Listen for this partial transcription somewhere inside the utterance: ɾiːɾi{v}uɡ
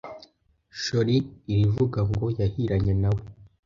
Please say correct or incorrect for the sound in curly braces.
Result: correct